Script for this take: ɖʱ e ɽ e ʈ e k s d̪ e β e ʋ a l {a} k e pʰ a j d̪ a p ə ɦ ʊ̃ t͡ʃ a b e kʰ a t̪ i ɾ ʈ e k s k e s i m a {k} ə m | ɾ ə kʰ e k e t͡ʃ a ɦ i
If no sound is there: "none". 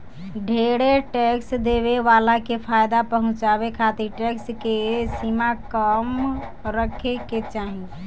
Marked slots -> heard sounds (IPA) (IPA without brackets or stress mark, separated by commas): a, k